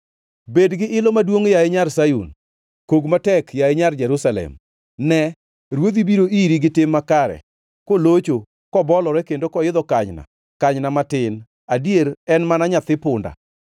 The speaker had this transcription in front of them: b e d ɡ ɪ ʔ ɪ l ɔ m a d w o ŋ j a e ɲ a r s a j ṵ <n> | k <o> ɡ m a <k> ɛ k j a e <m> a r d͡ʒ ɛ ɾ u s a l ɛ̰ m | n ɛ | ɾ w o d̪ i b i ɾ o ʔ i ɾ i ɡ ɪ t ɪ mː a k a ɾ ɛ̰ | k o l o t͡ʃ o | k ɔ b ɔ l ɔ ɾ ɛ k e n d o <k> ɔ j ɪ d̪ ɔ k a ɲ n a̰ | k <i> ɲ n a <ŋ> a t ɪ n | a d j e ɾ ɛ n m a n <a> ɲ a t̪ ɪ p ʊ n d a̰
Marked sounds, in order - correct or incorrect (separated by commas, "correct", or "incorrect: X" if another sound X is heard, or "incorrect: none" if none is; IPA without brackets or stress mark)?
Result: correct, correct, incorrect: t, incorrect: ɲ, correct, incorrect: a, incorrect: m, correct